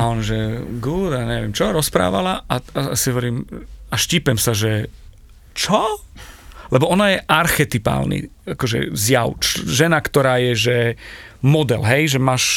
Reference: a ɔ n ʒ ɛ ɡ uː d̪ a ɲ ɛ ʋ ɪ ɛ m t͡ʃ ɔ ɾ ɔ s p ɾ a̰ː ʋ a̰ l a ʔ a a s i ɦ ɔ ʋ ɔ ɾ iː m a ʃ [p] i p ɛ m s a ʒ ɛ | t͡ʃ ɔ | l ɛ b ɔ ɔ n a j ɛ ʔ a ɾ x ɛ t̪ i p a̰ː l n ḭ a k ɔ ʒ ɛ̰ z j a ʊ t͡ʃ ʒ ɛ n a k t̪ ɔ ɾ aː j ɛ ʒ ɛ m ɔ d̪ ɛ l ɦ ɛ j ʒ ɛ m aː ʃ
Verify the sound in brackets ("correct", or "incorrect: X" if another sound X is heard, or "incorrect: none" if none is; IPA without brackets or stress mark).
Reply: incorrect: c